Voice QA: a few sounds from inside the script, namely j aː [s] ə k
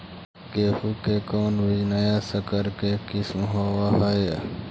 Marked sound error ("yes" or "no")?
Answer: no